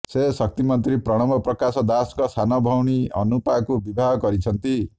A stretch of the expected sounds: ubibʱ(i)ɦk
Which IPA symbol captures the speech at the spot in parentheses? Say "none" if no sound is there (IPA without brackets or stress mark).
a